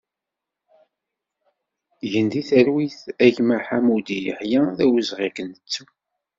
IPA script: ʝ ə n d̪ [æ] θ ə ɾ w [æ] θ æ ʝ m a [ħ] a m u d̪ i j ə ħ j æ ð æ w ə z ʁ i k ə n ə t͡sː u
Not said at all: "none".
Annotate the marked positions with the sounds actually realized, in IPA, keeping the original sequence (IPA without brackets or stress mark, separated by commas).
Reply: i, i, ħ